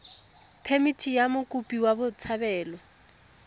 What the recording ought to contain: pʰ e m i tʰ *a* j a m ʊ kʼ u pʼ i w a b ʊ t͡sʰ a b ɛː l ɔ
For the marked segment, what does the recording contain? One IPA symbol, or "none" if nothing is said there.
i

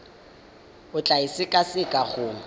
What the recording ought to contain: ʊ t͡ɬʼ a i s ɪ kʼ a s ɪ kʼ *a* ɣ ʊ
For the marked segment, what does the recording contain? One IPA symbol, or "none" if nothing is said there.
a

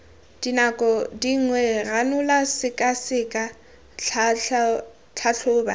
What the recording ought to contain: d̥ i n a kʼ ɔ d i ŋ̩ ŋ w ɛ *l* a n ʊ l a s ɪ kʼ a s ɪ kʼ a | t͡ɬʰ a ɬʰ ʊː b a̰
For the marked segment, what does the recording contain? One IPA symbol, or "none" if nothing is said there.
r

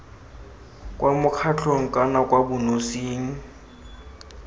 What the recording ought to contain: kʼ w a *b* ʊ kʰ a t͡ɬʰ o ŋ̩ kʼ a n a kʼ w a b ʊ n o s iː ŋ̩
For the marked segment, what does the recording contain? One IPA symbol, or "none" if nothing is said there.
m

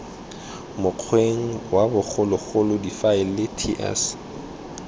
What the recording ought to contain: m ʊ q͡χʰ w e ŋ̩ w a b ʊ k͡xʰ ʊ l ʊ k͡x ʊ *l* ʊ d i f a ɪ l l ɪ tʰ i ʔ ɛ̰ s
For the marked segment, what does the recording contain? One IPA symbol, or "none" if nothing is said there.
l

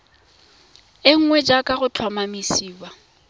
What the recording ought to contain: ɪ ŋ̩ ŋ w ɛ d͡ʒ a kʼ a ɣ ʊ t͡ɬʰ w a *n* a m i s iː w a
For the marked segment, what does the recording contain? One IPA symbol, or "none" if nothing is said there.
m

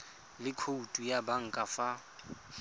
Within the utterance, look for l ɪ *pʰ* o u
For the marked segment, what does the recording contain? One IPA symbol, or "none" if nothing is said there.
kʰ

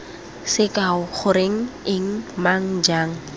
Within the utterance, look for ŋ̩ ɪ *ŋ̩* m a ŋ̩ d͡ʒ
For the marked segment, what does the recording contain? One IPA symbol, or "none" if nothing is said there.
ŋ̩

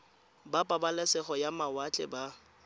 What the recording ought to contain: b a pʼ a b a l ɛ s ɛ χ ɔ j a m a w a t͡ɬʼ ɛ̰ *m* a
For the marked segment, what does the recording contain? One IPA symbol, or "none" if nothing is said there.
b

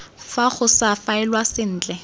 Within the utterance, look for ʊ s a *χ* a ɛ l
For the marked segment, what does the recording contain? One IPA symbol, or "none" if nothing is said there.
f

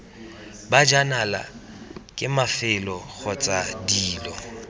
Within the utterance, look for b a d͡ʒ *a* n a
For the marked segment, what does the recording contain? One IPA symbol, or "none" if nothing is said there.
a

